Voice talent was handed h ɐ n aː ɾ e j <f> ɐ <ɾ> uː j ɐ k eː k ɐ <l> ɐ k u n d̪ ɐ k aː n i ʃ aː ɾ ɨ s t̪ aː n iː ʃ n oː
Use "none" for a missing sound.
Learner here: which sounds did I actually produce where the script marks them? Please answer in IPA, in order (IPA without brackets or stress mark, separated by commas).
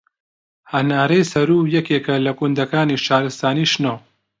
s, ɾ, l